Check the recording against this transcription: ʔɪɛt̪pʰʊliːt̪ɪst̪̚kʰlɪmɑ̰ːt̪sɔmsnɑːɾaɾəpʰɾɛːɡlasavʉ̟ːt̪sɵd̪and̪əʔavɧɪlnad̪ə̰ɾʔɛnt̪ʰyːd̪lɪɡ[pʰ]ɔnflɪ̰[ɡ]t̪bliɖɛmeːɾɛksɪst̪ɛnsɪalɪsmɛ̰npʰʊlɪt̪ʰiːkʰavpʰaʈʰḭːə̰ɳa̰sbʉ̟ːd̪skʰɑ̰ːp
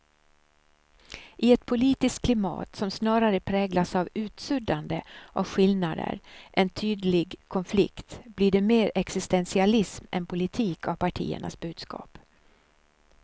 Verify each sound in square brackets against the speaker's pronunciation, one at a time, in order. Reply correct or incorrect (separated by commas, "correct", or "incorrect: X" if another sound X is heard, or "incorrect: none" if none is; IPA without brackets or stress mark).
incorrect: kʰ, incorrect: k